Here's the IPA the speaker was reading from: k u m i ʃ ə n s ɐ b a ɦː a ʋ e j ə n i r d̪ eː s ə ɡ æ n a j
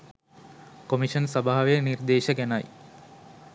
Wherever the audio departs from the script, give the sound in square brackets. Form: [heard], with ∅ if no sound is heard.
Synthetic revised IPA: k [o] m i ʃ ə n s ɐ b a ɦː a ʋ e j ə n i r d̪ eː [ʃ] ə ɡ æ n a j

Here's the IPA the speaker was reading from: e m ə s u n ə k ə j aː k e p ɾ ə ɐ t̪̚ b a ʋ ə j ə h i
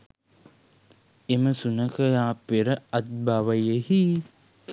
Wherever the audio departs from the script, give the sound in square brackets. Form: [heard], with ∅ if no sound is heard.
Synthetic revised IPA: e m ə s u n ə k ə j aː [p] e [∅] ɾ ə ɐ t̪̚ b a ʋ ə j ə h i

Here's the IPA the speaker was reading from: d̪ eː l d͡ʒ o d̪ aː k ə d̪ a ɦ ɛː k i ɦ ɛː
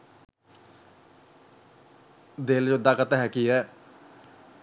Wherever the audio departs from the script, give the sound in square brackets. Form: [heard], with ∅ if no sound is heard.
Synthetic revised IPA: d̪ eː l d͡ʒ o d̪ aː k ə [t̪] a ɦ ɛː k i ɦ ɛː

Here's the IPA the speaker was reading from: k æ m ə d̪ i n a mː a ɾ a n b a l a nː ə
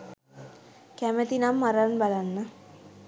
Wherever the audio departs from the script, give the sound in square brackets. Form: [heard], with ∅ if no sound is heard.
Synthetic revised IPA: k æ m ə [t̪] i n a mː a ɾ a n b a l a nː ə

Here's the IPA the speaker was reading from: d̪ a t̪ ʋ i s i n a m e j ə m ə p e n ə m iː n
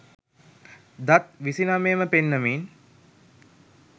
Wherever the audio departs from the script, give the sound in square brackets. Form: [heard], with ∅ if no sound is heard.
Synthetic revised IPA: d̪ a t̪ ʋ i s i n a m e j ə m ə p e [nː] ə m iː n

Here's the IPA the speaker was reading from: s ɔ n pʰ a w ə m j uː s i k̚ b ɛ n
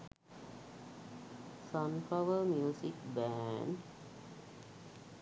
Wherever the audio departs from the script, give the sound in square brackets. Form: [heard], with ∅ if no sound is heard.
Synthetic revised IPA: s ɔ n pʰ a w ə m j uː s i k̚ b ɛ n

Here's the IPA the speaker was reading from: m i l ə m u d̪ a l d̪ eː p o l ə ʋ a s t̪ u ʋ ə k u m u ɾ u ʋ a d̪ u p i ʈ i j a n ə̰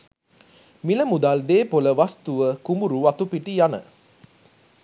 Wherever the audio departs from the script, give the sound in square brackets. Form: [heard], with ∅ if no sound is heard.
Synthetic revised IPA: m i l ə m u d̪ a l d̪ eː p o l ə ʋ a s t̪ u ʋ ə k u m u ɾ u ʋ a [t̪] u p i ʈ i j a n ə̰

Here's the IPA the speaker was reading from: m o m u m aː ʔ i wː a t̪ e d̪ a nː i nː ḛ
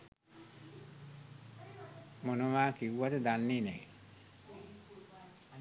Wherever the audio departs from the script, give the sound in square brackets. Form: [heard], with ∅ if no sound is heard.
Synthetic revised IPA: m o [n] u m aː [k] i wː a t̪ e d̪ a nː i [n] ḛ

